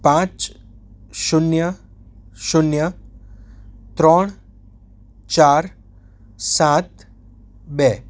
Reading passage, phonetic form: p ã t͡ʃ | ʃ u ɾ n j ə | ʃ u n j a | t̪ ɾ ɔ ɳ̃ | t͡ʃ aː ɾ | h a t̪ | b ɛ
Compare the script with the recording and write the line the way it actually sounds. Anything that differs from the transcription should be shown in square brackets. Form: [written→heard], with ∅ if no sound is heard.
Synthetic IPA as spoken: p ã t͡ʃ | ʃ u [ɾ→∅] n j ə | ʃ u n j [a→ə] | t̪ ɾ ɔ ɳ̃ | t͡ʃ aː ɾ | [h→s] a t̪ | b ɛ